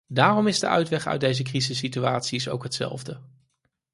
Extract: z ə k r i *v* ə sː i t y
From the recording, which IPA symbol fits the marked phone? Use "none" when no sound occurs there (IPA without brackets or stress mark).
z